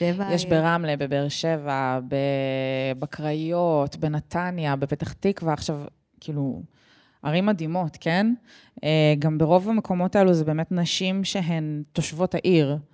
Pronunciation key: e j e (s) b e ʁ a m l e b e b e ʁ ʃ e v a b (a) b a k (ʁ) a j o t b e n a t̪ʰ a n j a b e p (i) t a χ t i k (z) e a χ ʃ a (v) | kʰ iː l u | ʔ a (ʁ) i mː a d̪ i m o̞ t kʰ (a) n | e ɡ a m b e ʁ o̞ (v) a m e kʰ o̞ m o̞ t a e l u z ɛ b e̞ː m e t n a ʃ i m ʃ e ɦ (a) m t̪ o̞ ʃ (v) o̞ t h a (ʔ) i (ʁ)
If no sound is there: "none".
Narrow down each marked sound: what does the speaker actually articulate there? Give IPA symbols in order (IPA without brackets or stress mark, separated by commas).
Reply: ʃ, e, ʁ, e, v, v, ʁ, e, v, e, v, ʔ, ʁ